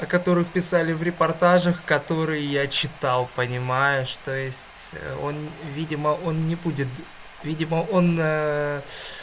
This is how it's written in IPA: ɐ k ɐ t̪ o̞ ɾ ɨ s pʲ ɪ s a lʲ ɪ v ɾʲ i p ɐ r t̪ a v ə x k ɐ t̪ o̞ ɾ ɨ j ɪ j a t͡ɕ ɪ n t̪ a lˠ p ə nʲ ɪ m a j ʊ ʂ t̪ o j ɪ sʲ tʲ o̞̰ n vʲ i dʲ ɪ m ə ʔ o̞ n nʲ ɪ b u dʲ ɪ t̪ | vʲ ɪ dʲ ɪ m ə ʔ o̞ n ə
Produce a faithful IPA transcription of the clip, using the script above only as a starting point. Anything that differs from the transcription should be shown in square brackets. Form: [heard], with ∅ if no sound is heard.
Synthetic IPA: ɐ k ɐ t̪ o̞ ɾ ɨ [x] pʲ ɪ s a lʲ ɪ v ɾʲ [ɪ] p ɐ r t̪ a [ʐ] ə x k ɐ t̪ o̞ ɾ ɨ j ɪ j a t͡ɕ ɪ [∅] t̪ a lˠ p ə nʲ ɪ m a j ʊ ʂ t̪ o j ɪ sʲ tʲ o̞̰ n vʲ i dʲ ɪ m ə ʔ o̞ n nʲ ɪ b u dʲ ɪ t̪ | vʲ [i] dʲ ɪ m ə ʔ o̞ n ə